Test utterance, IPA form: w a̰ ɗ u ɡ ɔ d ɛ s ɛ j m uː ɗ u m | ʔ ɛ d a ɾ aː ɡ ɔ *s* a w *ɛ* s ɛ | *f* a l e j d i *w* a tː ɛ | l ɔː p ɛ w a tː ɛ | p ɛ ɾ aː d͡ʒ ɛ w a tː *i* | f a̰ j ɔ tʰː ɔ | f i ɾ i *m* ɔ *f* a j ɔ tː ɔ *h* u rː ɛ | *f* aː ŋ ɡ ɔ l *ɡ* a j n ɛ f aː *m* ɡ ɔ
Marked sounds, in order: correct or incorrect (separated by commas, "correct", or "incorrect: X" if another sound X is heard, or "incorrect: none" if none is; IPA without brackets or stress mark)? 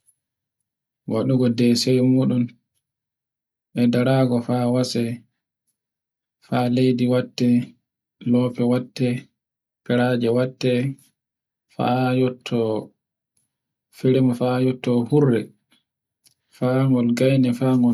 incorrect: f, incorrect: a, correct, correct, incorrect: ɛ, correct, correct, correct, correct, correct, incorrect: ŋ